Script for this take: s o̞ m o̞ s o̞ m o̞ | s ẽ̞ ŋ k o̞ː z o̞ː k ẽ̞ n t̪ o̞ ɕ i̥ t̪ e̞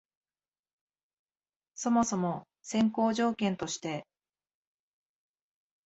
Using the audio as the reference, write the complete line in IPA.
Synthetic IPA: s o̞ m o̞ s o̞ m o̞ | s ẽ̞ ŋ k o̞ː ʑ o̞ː k ẽ̞ n t̪ o̞ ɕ i̥ t̪ e̞